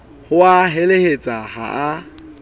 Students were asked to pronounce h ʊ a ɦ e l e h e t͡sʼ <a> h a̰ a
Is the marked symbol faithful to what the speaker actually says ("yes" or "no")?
yes